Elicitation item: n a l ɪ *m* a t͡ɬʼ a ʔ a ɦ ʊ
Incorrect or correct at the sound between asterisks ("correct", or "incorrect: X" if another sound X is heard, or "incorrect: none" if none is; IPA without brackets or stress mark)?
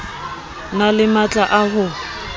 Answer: correct